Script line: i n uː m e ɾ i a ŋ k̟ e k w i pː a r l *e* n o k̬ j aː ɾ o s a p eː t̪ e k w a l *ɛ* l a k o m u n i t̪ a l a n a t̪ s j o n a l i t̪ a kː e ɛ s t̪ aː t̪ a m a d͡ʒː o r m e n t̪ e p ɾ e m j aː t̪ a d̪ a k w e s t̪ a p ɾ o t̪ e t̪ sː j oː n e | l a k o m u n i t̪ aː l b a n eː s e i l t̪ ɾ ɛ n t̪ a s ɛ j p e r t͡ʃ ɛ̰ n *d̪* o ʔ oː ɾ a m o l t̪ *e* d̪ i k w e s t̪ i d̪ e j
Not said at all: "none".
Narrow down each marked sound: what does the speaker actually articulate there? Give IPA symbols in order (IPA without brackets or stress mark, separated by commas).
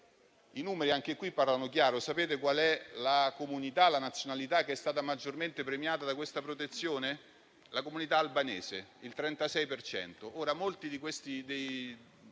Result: a, ɛ, t̪, i